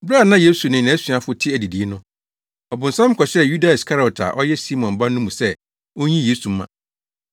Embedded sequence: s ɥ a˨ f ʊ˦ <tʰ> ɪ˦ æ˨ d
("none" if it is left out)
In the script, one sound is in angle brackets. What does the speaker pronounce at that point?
tʰ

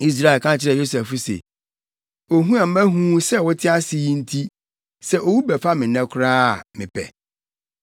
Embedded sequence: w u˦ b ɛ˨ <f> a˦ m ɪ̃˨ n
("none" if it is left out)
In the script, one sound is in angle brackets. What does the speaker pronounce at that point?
f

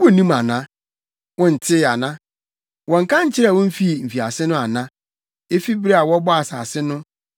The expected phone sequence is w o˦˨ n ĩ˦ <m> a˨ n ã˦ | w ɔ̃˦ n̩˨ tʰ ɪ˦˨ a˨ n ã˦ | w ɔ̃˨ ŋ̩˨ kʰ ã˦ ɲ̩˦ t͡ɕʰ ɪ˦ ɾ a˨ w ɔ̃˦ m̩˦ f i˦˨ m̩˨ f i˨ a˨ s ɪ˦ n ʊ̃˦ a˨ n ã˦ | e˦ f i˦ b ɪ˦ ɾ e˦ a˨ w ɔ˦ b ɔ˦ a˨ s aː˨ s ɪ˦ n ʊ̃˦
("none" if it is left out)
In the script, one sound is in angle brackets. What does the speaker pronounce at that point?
m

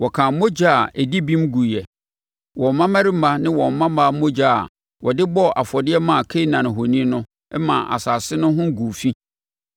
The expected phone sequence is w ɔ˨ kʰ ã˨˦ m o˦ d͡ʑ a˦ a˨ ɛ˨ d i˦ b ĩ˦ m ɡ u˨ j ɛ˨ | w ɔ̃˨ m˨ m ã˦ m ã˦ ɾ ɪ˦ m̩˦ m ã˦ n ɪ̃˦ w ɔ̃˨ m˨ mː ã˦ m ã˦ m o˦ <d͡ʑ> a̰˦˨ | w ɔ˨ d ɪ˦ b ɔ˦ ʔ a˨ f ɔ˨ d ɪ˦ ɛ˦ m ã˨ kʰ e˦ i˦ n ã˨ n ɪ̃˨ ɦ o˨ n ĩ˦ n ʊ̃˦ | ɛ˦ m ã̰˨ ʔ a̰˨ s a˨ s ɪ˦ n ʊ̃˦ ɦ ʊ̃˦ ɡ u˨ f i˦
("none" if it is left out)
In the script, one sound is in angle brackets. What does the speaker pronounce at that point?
d͡ʑ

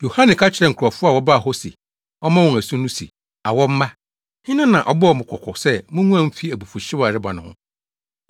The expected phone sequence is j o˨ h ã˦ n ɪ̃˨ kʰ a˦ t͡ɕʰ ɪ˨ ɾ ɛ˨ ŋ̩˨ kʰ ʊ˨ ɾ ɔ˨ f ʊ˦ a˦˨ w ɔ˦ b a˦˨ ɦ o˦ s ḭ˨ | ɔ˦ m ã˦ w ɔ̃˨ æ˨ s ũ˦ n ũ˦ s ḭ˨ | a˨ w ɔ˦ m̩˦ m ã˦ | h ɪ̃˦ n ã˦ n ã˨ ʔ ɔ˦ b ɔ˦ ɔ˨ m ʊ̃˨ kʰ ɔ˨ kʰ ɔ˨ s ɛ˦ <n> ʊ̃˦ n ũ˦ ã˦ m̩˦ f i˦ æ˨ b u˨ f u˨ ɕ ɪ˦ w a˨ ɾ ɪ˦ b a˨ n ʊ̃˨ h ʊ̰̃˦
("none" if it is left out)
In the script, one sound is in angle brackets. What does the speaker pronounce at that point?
m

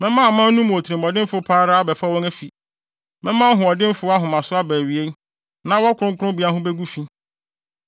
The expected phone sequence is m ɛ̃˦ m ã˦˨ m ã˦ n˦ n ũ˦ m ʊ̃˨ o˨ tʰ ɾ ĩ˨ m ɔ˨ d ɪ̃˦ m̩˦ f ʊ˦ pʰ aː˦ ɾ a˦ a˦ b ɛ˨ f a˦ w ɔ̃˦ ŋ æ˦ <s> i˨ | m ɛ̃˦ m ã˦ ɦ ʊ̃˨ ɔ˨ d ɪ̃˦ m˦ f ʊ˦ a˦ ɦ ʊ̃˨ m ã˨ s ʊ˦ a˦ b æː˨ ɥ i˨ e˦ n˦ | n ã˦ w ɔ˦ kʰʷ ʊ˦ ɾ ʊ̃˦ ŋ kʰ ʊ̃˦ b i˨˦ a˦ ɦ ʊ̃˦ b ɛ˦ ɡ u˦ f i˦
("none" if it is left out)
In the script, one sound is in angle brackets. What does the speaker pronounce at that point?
f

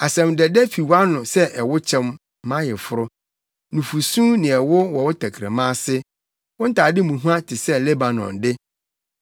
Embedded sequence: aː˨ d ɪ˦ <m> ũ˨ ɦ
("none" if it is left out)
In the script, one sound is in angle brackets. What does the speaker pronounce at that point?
m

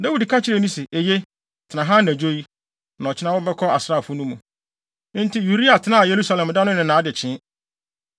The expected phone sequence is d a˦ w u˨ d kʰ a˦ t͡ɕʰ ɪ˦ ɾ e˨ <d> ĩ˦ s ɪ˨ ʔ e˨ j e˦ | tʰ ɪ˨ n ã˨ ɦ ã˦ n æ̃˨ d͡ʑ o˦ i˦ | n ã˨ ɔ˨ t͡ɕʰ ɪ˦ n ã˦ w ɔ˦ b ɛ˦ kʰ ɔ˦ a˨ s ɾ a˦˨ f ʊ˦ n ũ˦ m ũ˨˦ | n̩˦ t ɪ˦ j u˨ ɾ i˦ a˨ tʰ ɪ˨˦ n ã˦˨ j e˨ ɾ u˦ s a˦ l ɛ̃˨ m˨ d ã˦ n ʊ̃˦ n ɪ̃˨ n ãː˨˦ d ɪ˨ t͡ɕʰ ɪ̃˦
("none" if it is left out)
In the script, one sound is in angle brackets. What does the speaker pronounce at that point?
n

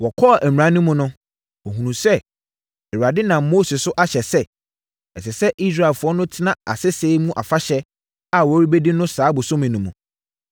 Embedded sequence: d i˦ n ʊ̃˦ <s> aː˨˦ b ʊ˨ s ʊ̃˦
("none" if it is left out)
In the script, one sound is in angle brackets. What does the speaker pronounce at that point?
s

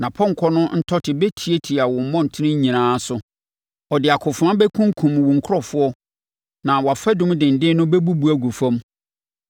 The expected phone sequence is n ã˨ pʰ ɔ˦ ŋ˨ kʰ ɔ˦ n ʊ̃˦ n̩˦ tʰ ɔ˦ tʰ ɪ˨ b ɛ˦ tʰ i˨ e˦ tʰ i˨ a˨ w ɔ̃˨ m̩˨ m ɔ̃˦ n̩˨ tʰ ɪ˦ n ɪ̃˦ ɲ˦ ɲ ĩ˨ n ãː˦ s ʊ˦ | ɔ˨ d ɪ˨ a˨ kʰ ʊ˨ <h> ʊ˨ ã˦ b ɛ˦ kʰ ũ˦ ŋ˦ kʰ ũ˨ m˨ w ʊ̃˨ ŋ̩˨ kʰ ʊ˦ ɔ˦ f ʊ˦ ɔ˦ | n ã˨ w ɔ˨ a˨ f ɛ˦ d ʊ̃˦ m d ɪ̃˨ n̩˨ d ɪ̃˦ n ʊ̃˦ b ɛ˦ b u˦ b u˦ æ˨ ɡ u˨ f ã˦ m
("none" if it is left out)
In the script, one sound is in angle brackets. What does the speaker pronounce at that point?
f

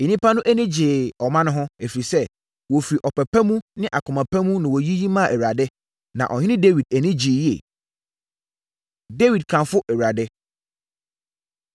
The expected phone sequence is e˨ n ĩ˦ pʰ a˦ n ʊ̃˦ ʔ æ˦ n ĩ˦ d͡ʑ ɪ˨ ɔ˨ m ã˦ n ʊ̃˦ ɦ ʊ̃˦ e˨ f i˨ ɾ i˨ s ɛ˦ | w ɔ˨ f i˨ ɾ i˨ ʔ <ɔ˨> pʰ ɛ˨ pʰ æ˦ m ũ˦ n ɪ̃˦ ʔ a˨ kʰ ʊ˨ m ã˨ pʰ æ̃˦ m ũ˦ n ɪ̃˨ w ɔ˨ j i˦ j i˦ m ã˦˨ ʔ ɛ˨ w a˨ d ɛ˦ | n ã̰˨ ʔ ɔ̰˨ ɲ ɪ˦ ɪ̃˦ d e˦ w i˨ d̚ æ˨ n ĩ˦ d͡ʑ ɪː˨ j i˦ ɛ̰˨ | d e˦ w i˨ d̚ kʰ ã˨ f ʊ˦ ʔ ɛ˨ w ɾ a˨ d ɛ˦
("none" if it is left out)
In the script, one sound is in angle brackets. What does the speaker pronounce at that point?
ɔ˨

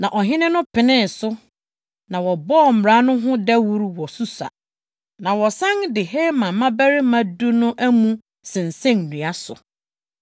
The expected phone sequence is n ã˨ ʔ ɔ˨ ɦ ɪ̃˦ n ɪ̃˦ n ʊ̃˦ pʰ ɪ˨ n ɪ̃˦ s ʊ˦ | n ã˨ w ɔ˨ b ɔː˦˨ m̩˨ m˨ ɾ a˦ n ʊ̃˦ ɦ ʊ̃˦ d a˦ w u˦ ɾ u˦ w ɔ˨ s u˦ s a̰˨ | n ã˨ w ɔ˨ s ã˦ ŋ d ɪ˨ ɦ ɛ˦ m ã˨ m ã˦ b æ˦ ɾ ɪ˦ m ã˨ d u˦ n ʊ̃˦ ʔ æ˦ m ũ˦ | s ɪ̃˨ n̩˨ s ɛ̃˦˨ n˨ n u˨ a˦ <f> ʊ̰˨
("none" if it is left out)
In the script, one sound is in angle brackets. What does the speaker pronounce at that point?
s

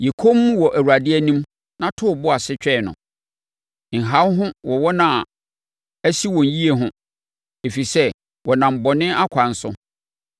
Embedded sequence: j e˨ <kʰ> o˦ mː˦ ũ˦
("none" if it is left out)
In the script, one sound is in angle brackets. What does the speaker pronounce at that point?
kʰ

